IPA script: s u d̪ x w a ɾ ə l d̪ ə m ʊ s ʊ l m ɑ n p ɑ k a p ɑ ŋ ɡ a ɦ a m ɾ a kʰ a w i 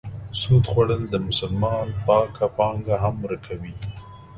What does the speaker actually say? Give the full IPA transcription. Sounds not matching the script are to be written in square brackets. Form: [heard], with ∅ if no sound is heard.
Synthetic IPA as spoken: s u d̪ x w a [ɽ] ə l d̪ ə m ʊ s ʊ l m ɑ n p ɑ k a p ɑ ŋ ɡ a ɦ a m ɾ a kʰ a w i